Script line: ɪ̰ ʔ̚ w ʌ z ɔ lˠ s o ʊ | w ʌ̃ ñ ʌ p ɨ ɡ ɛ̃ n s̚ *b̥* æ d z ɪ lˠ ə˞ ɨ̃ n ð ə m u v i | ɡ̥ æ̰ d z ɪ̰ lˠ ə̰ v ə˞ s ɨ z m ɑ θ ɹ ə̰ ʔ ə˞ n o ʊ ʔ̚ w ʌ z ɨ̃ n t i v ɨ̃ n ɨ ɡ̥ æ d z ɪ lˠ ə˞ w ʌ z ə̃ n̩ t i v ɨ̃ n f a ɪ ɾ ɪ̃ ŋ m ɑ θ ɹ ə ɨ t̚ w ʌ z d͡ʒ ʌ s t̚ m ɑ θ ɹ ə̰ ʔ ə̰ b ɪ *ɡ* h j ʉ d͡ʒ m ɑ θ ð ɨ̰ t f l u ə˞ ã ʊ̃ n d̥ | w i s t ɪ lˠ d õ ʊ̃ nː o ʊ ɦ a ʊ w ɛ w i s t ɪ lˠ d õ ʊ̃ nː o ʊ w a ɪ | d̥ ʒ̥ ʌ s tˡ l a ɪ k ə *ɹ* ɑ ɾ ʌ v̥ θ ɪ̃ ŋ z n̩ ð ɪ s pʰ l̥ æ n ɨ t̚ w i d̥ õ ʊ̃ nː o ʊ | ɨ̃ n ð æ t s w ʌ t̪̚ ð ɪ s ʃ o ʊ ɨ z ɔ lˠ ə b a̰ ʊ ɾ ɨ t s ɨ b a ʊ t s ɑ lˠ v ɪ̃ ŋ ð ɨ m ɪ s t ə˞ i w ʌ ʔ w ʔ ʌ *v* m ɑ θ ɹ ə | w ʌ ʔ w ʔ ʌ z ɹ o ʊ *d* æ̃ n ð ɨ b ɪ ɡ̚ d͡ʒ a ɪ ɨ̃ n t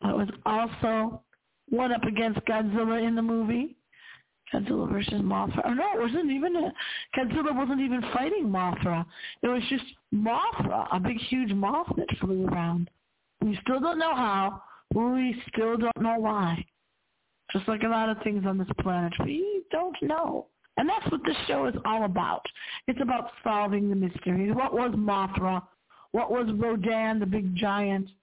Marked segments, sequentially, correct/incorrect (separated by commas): incorrect, correct, incorrect, incorrect, correct